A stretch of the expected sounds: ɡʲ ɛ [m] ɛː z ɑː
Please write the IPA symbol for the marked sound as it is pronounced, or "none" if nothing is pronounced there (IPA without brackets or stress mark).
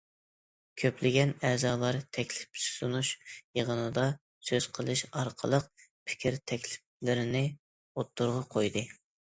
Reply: n